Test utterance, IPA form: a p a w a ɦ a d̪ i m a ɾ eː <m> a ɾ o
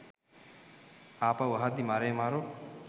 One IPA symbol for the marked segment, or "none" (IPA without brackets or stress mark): m